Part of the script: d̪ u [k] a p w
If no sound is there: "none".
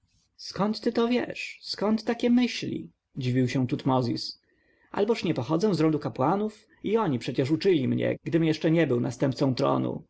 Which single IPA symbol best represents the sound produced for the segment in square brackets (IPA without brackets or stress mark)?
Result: k